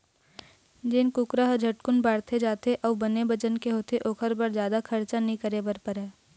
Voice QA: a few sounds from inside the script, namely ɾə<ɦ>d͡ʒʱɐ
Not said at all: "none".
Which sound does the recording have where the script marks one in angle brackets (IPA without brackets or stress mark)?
ɦ